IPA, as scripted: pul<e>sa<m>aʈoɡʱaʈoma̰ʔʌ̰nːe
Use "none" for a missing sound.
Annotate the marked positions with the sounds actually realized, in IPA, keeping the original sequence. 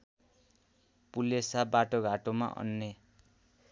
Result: e, b

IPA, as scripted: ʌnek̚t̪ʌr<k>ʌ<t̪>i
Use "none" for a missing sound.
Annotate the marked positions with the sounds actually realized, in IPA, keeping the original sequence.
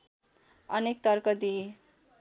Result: k, d̪

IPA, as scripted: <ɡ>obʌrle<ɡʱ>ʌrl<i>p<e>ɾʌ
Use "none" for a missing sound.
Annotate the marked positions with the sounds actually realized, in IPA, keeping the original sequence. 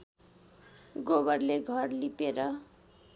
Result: ɡ, ɡʱ, i, e

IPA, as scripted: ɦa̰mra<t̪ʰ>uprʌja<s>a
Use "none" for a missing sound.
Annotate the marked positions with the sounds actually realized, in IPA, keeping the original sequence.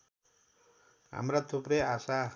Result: t̪ʰ, s

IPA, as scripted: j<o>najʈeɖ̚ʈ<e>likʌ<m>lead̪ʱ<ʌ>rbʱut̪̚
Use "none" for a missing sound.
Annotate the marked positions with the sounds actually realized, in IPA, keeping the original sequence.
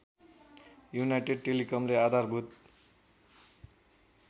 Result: u, e, m, a

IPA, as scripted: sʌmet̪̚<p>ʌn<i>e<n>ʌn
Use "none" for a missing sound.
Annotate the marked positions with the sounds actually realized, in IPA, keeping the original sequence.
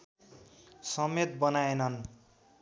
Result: b, a, n

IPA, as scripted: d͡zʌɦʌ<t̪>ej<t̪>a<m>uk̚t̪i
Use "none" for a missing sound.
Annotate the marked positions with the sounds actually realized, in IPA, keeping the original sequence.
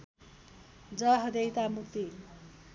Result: d̪, t̪, m

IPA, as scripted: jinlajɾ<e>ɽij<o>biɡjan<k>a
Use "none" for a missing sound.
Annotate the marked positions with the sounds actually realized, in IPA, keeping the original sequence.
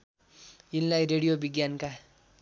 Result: e, o, k

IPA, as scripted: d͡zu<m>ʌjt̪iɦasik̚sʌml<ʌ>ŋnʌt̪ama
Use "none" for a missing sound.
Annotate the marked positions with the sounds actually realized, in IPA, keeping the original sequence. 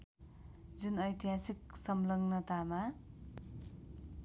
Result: n, ʌ

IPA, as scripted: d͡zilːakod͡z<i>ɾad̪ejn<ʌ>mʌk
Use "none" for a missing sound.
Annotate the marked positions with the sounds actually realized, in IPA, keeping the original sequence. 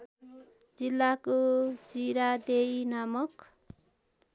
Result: i, a

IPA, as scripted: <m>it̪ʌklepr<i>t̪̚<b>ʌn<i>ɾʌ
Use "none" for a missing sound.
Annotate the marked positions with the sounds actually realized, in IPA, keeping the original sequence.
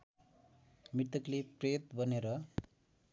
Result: m, e, b, e

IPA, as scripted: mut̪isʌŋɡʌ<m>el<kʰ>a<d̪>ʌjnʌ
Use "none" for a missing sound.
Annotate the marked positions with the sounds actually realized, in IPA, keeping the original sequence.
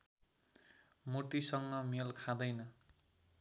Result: m, kʰ, d̪

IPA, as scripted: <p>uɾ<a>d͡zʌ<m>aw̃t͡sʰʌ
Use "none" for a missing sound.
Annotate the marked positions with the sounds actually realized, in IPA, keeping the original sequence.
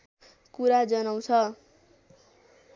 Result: k, a, n

